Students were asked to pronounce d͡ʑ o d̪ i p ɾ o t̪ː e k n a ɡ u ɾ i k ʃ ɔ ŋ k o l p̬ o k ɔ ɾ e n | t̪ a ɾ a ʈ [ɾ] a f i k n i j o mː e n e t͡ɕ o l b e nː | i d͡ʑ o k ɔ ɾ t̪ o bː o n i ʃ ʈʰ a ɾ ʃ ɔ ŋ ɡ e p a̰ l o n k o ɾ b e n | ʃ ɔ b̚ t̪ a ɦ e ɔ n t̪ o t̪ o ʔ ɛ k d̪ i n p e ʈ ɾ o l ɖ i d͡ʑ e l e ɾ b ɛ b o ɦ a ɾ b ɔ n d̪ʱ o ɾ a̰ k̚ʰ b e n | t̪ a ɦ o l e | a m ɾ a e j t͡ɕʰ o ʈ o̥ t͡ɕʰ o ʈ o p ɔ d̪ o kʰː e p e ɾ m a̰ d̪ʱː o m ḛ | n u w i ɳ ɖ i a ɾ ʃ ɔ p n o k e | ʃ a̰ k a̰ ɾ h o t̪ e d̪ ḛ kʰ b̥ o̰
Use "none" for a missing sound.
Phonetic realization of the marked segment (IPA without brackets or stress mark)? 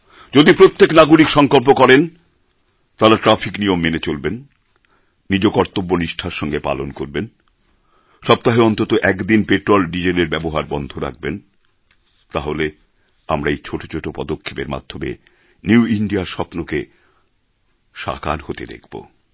ɾ